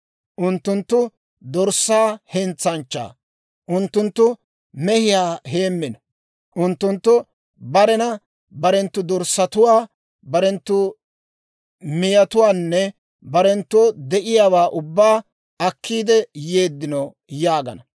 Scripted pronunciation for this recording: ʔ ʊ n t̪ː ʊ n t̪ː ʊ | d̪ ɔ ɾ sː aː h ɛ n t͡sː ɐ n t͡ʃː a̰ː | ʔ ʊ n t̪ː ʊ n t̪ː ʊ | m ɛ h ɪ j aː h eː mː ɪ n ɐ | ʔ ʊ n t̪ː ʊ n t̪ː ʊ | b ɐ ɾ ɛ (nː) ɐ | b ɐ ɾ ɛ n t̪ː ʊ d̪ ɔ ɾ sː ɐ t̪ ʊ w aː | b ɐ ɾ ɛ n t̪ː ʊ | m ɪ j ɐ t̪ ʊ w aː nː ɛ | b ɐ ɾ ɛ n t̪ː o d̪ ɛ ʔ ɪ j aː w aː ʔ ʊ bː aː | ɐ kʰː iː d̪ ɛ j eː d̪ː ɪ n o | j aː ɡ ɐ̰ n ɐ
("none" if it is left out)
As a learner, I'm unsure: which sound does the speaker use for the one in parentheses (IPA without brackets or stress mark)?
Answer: n